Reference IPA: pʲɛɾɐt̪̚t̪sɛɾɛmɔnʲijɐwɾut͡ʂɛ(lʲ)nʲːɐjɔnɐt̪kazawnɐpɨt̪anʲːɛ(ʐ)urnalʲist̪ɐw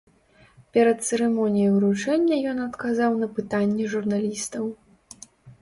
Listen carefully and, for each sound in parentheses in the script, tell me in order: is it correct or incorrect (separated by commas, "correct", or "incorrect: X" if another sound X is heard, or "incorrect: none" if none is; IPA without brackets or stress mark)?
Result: incorrect: none, correct